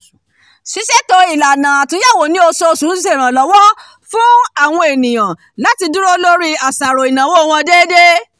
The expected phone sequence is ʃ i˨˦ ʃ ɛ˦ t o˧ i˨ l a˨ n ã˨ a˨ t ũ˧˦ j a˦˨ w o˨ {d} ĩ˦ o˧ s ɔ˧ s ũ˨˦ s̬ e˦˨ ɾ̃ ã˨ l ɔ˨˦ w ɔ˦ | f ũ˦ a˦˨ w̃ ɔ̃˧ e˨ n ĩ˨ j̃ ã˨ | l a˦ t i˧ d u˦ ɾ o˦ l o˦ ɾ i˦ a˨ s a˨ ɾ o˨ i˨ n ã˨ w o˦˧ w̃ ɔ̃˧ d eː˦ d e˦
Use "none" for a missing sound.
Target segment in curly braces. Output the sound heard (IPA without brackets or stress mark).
n